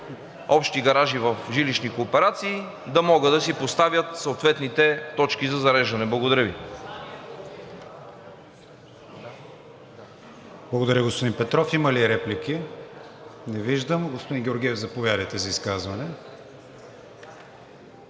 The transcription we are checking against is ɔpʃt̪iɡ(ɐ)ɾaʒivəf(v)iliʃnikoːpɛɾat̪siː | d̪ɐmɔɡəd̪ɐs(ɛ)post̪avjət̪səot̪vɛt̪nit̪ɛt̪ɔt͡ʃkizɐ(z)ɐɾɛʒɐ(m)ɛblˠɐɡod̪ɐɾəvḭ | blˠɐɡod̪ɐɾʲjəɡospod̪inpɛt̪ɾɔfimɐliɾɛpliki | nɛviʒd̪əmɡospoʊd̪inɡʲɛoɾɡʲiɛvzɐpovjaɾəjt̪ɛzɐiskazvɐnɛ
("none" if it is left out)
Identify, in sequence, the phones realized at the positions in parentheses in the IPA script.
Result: ɐ, ʒ, i, z, n

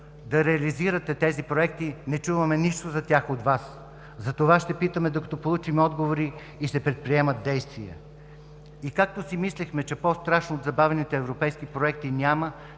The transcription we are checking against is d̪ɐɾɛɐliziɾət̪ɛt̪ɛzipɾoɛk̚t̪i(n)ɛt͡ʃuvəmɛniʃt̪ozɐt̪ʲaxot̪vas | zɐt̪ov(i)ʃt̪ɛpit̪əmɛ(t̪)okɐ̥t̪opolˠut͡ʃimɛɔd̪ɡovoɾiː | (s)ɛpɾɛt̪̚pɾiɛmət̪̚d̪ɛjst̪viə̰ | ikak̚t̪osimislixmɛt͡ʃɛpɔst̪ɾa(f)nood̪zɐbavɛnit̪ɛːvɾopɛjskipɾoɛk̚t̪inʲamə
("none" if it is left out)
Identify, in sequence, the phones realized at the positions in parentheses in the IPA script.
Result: n, a, d̪, s, ʃ

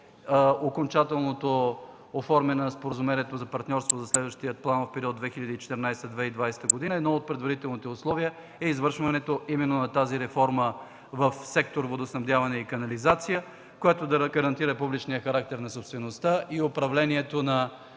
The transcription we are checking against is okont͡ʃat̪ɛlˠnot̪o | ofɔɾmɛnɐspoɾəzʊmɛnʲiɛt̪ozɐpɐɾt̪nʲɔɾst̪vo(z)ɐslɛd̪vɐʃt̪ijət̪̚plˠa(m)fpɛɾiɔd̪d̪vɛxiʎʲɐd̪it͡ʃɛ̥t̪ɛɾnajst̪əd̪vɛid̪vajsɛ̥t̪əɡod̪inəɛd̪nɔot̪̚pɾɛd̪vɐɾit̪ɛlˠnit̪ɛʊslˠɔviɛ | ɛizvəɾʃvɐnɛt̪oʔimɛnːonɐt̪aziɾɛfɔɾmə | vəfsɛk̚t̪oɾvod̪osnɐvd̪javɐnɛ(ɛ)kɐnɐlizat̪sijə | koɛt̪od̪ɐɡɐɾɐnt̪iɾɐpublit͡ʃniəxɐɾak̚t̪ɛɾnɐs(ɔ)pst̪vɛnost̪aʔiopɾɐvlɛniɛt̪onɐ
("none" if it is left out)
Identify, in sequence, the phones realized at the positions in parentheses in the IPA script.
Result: z, n, i, o

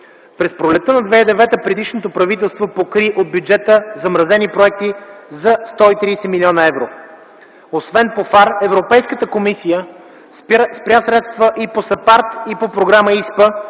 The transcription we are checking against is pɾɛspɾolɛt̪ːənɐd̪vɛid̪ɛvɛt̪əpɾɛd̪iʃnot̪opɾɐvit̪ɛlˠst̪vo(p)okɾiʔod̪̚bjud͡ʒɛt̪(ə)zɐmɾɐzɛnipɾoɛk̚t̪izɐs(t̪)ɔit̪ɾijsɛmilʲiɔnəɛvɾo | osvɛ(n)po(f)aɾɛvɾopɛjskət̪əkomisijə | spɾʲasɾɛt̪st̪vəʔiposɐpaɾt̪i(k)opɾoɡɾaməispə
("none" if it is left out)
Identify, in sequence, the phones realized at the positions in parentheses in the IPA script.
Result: p, ə, t̪, n, f, p

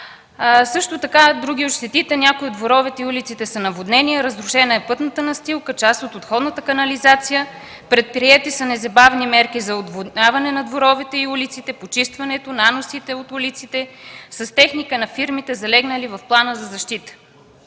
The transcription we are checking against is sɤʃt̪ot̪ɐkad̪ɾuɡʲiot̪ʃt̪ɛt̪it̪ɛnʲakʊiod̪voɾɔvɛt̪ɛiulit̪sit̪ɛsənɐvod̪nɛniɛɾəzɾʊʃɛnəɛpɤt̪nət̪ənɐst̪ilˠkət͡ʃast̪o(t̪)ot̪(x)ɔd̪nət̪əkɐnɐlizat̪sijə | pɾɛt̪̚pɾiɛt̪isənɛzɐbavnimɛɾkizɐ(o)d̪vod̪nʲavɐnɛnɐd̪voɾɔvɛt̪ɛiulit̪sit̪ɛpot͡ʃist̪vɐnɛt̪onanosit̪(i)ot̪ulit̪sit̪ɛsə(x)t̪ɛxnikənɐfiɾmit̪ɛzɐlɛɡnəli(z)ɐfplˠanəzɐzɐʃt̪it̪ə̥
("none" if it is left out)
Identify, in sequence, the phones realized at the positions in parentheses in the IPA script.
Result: t̪, x, o, ɛ, s, v

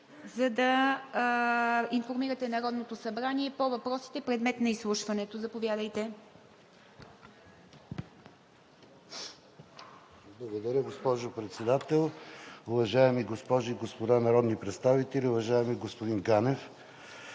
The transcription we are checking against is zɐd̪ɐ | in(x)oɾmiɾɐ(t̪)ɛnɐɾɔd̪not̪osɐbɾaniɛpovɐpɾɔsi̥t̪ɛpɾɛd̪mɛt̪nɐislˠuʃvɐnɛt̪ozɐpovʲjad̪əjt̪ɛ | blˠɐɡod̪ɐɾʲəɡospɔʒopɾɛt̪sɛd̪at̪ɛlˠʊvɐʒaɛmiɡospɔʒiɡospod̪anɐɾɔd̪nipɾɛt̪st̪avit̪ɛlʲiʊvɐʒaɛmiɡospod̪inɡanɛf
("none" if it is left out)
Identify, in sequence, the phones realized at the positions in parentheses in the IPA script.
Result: f, t̪

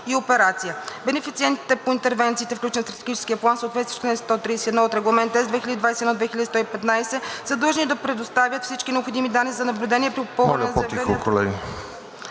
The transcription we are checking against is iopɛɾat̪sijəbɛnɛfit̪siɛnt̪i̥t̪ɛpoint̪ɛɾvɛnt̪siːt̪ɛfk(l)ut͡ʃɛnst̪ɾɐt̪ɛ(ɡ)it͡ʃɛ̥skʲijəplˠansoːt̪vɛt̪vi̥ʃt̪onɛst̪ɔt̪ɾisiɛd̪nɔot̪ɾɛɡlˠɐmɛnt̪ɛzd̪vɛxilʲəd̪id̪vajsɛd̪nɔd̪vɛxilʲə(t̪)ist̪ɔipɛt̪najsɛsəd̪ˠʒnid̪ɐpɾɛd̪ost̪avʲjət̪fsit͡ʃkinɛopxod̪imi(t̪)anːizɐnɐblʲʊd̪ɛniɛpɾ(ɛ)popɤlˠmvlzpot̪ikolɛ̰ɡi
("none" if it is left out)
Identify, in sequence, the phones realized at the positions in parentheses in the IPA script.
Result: l, ɡ, d̪, d̪, i

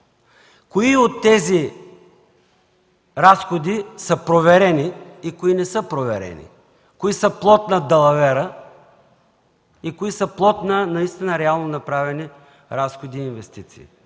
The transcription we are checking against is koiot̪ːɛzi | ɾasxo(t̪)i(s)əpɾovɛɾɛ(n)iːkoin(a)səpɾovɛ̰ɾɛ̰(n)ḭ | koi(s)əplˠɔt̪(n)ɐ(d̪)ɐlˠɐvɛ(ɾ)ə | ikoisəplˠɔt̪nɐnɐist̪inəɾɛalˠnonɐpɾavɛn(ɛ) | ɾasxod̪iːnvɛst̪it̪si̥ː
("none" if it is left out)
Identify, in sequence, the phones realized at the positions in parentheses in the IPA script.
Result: d̪, s, n, ɛ, n, s, n, d̪, ɾ, i

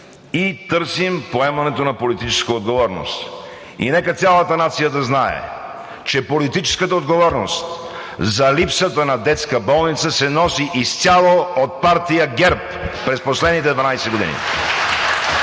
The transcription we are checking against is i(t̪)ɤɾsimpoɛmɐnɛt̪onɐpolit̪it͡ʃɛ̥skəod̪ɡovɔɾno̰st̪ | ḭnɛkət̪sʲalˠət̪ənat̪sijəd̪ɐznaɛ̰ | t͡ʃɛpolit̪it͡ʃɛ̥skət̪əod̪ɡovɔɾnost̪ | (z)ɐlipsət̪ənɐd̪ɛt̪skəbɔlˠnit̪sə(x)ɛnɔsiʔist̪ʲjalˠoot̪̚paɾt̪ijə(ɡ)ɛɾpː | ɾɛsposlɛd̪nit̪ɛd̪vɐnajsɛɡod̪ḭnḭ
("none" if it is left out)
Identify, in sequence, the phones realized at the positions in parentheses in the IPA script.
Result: t̪, z, s, ɡ

